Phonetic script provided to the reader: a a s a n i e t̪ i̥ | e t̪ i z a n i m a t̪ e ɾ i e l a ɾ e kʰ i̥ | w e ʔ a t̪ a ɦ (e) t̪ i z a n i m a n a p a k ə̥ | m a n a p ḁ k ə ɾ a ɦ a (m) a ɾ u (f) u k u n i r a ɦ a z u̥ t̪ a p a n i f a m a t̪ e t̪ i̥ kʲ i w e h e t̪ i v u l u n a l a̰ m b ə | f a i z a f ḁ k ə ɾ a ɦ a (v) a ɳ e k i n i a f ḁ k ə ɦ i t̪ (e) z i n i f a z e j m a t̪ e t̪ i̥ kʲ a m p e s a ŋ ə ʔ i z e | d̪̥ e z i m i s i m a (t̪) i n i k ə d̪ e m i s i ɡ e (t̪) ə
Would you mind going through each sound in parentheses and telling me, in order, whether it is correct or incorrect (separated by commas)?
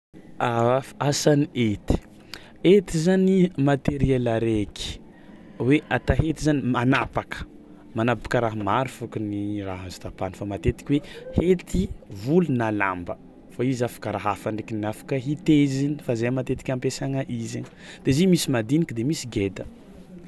correct, correct, correct, incorrect, correct, incorrect, incorrect